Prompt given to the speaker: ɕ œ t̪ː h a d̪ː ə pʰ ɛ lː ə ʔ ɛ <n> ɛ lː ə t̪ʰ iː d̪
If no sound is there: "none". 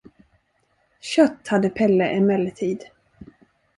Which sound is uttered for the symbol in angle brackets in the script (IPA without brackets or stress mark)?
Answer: m